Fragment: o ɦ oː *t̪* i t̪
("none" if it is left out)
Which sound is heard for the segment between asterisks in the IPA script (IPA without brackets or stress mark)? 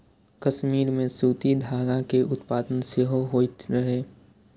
none